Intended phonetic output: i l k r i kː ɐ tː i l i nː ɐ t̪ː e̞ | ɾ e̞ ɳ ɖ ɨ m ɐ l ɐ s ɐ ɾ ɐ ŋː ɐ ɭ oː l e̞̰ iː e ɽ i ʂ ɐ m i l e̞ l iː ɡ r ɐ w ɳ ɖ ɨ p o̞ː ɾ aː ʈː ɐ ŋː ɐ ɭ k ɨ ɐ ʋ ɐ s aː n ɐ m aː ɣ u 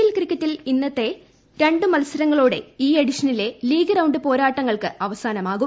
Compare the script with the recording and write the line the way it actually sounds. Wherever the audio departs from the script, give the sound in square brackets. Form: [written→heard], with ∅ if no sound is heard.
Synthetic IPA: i l k r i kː ɐ tː i l i nː ɐ t̪ː e̞ | ɾ e̞ ɳ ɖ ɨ m ɐ l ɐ s ɐ ɾ ɐ ŋː ɐ ɭ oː [l→ɽ] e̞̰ iː e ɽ i ʂ ɐ [m→n] i l e̞ l iː ɡ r ɐ w ɳ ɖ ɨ p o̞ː ɾ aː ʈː ɐ ŋː ɐ ɭ k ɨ ɐ ʋ ɐ s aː n ɐ m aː ɣ u